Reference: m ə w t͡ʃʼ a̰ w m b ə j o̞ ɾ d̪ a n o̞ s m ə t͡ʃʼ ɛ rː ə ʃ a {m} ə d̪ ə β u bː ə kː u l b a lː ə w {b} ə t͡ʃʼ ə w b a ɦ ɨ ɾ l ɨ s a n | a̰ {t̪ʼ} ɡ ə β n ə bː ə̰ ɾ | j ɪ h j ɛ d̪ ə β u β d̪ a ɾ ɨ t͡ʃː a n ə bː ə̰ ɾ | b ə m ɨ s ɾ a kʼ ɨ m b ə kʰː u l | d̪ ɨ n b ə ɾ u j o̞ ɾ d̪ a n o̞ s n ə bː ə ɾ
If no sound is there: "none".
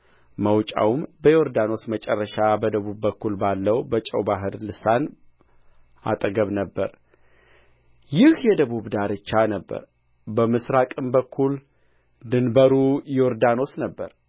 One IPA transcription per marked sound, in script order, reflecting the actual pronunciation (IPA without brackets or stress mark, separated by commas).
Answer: b, b, t̪ʼ